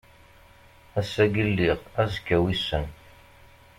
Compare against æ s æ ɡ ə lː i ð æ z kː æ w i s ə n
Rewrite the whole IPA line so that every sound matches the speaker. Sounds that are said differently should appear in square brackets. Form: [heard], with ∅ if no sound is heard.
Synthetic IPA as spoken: æ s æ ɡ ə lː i [ʁ] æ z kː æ w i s ə n